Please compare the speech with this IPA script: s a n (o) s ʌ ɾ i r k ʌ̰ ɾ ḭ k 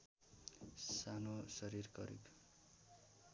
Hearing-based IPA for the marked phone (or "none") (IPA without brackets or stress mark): o